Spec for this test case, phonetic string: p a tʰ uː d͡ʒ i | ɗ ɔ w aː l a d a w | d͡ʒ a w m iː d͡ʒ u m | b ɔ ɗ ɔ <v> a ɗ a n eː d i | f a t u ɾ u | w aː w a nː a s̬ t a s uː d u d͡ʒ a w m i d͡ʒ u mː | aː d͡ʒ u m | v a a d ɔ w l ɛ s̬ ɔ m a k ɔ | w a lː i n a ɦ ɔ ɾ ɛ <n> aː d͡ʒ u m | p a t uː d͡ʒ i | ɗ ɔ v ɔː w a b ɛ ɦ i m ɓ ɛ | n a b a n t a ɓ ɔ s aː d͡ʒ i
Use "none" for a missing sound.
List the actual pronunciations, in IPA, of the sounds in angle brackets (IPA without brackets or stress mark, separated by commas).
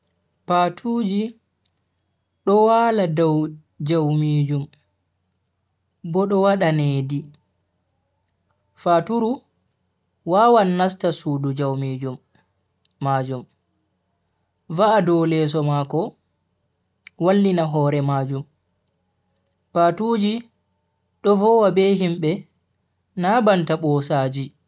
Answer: w, m